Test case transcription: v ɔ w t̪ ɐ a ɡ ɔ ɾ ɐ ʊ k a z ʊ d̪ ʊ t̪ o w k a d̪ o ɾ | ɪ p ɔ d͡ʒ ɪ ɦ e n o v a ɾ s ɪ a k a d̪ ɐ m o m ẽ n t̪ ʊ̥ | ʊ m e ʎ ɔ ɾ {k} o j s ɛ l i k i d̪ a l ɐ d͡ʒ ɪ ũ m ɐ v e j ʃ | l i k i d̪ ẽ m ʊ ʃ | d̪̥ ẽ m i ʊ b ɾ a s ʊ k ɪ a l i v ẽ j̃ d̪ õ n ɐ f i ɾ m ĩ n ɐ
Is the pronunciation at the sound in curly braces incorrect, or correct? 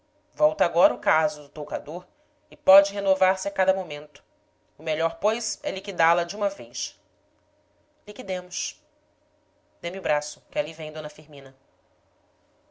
incorrect